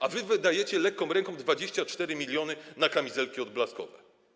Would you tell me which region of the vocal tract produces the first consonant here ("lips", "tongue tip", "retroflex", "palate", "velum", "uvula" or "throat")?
lips